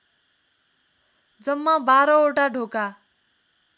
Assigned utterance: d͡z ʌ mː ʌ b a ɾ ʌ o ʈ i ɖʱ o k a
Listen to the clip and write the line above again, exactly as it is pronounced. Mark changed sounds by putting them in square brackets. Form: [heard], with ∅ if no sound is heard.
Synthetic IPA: d͡z ʌ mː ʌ b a ɾ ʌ o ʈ [a] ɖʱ o k a